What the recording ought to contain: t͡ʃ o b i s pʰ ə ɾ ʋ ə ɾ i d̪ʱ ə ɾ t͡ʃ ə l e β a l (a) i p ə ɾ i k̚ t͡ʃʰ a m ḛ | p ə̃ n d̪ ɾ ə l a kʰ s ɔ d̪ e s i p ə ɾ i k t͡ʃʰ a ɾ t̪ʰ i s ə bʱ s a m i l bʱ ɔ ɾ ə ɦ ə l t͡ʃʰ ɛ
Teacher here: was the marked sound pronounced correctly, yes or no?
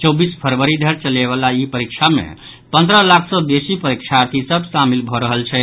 yes